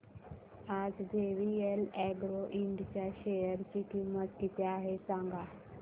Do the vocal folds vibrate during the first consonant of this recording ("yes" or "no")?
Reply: yes